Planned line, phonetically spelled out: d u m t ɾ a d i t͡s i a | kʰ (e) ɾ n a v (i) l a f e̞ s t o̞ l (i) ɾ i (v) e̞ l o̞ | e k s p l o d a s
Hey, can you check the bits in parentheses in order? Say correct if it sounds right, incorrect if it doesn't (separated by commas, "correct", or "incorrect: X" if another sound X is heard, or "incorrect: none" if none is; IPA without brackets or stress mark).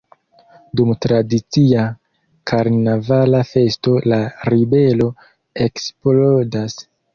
incorrect: a, incorrect: a, incorrect: a, incorrect: b